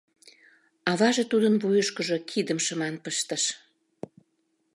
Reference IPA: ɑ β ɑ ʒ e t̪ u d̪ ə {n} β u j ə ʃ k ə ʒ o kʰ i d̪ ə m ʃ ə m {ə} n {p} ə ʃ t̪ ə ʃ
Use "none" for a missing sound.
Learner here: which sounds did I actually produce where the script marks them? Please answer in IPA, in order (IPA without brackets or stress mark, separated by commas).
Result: n, ɑ, p